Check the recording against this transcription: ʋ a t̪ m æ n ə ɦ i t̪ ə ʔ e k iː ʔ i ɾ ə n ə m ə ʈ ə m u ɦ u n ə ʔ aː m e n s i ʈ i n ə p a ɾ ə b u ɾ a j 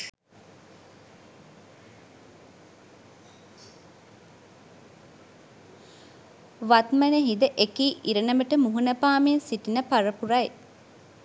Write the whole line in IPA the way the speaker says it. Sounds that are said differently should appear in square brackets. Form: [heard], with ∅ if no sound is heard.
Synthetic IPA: ʋ a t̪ m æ n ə ɦ i [d̪] ə ʔ e k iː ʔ i ɾ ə n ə m ə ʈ ə m u ɦ u n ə [p] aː m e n s i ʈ i n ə p a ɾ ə [p] u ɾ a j